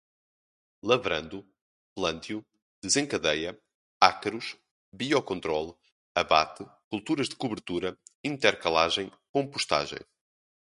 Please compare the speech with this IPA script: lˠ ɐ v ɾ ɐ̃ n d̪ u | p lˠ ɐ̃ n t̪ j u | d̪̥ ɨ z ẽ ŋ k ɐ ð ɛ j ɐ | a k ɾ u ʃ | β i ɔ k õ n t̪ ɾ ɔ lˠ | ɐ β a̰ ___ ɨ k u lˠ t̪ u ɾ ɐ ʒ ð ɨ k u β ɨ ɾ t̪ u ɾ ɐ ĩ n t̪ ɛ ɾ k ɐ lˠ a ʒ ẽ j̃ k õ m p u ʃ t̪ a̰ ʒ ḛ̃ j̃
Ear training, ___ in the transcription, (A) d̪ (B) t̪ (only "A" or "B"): B